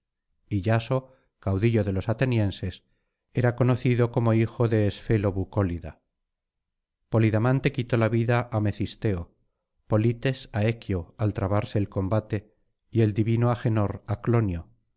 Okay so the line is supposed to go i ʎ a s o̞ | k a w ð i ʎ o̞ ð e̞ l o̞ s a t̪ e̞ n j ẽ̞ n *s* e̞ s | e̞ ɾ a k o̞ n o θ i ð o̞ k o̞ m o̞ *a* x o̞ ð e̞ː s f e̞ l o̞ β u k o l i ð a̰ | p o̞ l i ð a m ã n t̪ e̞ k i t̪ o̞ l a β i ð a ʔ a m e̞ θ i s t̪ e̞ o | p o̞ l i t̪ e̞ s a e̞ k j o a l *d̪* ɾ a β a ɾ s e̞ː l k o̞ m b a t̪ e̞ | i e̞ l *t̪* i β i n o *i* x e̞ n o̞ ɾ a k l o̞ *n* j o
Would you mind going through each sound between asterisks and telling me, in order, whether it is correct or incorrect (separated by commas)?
correct, incorrect, incorrect, incorrect, incorrect, correct